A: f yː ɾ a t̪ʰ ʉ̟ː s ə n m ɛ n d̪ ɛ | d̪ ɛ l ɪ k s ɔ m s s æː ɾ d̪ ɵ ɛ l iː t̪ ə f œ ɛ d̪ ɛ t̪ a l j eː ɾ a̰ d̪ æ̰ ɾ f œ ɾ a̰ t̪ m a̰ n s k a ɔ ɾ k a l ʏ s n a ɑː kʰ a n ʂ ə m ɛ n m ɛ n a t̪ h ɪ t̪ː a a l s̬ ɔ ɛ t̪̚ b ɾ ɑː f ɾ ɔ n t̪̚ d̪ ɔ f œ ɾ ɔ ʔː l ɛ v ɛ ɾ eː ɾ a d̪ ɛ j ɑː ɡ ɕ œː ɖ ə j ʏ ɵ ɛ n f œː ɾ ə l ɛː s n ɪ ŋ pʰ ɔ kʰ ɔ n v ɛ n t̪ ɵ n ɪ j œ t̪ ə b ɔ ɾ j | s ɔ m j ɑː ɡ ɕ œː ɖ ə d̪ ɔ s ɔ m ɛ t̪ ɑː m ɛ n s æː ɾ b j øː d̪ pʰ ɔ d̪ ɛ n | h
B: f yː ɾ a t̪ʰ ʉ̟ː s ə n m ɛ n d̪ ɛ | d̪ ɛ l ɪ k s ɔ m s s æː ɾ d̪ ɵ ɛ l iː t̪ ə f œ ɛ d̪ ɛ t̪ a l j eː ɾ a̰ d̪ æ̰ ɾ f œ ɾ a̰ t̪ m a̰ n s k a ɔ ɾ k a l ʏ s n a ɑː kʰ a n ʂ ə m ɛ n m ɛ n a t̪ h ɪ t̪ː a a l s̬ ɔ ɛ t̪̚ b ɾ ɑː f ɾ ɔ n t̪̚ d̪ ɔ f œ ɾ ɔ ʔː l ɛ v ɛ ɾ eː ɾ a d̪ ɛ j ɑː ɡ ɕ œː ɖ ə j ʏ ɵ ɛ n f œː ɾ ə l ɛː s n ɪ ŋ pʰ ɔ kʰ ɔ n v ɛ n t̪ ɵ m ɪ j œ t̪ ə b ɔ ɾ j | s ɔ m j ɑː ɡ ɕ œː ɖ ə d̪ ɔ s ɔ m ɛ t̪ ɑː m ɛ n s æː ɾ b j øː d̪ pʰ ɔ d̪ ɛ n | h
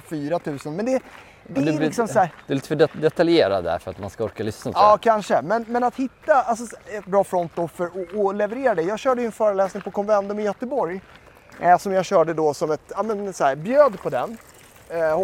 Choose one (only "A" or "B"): B